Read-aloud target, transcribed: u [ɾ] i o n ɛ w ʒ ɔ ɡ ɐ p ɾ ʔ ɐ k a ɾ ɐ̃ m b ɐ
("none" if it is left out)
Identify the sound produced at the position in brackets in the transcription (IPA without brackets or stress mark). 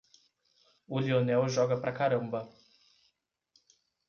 l